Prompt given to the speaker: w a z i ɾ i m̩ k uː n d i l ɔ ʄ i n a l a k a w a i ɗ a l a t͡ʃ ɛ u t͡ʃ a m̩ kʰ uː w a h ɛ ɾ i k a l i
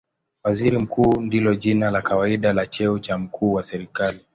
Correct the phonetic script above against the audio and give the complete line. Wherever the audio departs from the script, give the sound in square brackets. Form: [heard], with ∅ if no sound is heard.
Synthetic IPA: w a z i ɾ i m̩ k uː n d i l ɔ ʄ i n a l a k a w a i ɗ a l a t͡ʃ ɛ u t͡ʃ a m̩ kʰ uː w a [s] ɛ ɾ i k a l i